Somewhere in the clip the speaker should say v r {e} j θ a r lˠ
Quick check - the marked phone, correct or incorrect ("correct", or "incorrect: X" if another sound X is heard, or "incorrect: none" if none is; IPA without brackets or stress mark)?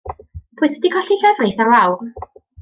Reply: correct